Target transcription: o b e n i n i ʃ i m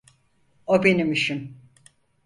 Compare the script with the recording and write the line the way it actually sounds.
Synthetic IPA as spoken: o b e n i m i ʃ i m